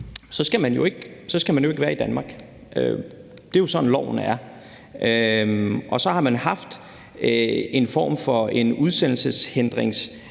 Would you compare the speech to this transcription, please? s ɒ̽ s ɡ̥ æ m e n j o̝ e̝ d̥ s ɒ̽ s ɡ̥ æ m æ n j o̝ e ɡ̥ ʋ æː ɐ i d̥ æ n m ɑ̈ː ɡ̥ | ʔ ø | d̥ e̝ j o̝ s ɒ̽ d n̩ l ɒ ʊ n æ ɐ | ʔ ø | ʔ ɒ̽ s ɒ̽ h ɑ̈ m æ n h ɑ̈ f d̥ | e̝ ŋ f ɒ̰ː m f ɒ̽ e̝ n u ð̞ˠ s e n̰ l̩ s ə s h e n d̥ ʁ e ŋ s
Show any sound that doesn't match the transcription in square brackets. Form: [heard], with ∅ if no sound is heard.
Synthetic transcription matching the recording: s ɒ̽ s ɡ̥ æ m [æ] n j o̝ e̝ [ɡ̥] s ɒ̽ s ɡ̥ æ m æ n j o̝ e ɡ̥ ʋ æː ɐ i d̥ æ n m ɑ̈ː ɡ̥ | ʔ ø | d̥ e̝ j o̝ s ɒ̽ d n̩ l ɒ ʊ n æ ɐ | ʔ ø | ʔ ɒ̽ s ɒ̽ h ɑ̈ m æ n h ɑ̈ f d̥ | e̝ [n] f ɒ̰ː m f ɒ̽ e̝ n u ð̞ˠ s e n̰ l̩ s ə s h e n d̥ ʁ e ŋ s

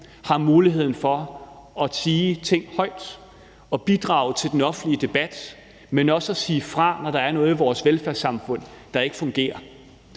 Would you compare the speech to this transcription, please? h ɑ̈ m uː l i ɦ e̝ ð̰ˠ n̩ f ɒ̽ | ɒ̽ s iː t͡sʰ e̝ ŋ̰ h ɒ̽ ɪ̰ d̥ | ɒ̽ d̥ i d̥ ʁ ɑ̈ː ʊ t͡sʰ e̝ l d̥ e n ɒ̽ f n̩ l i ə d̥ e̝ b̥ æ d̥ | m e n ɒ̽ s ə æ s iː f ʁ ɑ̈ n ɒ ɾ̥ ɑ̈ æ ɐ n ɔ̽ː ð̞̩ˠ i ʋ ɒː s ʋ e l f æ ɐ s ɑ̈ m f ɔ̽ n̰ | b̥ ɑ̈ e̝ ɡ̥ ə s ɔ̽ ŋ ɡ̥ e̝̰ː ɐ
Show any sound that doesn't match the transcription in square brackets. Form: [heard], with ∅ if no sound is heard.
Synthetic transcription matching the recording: h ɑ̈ m uː l i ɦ e̝ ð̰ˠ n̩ f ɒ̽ | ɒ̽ s iː t͡sʰ e̝ ŋ̰ h ɒ̽ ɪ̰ d̥ | ɒ̽ [b̥] i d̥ ʁ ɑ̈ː ʊ t͡sʰ e̝ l d̥ e n ɒ̽ f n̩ l i ə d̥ e̝ b̥ æ d̥ | m e n ɒ̽ s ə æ s iː f ʁ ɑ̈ n ɒ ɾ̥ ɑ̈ æ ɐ n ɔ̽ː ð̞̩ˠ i ʋ ɒː s ʋ e l f æ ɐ s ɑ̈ m f ɔ̽ n̰ | [d̥] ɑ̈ e̝ ɡ̥ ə [f] ɔ̽ ŋ ɡ̥ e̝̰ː ɐ

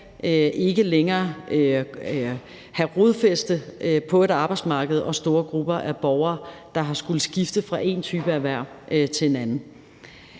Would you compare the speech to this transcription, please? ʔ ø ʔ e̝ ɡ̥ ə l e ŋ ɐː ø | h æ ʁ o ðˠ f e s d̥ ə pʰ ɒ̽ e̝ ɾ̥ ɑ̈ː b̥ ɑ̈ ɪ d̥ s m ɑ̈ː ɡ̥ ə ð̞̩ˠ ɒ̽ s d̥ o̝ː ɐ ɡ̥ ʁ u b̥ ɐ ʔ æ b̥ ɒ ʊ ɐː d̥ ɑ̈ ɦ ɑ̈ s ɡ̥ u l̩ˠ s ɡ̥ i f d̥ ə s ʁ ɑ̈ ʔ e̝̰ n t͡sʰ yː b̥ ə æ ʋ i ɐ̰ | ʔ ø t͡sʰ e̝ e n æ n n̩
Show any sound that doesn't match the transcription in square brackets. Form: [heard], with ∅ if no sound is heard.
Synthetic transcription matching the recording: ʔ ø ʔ e̝ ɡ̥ ə l e ŋ ɐː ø | h æ ʁ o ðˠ f e s d̥ ə pʰ ɒ̽ e̝ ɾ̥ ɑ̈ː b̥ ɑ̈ ɪ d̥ s m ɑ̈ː ɡ̥ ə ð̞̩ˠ ɒ̽ s d̥ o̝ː ɐ ɡ̥ ʁ u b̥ ɐ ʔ æ b̥ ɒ ʊ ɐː d̥ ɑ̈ ɦ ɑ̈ s ɡ̥ u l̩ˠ s ɡ̥ i f d̥ ə [f] ʁ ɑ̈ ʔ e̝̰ n t͡sʰ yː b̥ ə æ ʋ [æ] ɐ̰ | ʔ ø t͡sʰ e̝ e n æ n n̩

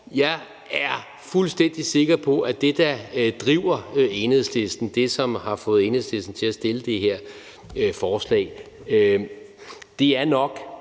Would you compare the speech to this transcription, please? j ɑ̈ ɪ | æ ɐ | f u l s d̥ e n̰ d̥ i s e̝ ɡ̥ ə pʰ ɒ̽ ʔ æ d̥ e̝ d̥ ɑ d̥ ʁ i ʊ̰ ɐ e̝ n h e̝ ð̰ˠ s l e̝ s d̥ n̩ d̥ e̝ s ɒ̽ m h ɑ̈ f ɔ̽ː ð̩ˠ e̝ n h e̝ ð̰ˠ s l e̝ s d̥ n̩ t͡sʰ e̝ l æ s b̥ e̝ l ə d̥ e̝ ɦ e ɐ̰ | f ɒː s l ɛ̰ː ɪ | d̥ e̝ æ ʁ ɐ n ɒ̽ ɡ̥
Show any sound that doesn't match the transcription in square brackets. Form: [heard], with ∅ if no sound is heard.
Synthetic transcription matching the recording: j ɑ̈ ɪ | æ ɐ | f u l s d̥ e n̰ d̥ i s e̝ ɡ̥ [ɐ] pʰ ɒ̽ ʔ æ d̥ e̝ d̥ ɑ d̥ ʁ i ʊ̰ ɐ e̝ n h e̝ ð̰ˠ s l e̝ s d̥ n̩ d̥ e̝ s ɒ̽ m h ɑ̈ f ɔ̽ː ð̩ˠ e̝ n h e̝ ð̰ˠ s l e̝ s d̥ n̩ t͡sʰ e̝ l æ s [d̥] e̝ l ə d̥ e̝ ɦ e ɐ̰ | f ɒː s l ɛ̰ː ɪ | d̥ e̝ æ [∅] ɐ n ɒ̽ ɡ̥

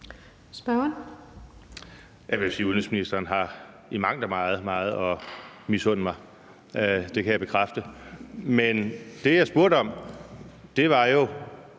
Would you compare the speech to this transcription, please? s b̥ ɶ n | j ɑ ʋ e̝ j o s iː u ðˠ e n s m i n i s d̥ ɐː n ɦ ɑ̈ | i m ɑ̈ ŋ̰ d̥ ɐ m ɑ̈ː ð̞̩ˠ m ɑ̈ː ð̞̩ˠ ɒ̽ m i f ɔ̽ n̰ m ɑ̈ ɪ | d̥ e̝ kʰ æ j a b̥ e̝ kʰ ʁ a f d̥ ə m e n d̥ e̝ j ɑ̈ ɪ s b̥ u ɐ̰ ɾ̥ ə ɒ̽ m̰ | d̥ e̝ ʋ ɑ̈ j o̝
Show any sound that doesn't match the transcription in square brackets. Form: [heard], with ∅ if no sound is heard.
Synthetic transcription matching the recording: s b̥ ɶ n | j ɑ ʋ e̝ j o s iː u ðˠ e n s m i n i s d̥ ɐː n ɦ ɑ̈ | i m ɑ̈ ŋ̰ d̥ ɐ m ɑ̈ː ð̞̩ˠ m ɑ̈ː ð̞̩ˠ ɒ̽ m i [s] ɔ̽ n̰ m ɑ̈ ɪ | d̥ e̝ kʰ æ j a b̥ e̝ kʰ ʁ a f d̥ ə m e n d̥ e̝ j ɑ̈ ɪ s b̥ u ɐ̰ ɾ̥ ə ɒ̽ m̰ | d̥ e̝ ʋ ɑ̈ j o̝

